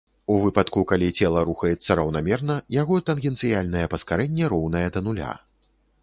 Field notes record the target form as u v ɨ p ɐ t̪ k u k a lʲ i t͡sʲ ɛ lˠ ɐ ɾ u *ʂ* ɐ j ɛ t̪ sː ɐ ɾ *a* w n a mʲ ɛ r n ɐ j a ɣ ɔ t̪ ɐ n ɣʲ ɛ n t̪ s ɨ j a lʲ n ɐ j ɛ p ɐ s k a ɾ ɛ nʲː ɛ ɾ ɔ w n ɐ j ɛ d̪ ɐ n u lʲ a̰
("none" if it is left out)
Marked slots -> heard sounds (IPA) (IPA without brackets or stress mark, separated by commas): x, ɐ